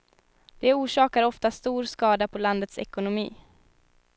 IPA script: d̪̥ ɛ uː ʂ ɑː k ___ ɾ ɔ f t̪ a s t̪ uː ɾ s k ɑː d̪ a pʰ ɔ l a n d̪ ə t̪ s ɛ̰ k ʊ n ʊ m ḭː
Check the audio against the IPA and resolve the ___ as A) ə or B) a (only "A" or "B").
B